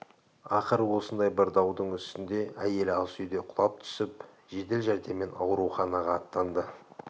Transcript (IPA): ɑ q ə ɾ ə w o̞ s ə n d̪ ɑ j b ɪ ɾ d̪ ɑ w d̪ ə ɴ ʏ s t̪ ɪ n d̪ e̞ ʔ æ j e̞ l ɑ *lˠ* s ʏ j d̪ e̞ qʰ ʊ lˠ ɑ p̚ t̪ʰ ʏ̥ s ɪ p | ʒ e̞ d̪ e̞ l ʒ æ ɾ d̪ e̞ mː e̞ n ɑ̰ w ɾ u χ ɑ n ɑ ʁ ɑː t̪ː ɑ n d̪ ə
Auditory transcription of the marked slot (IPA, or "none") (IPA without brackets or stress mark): lˠ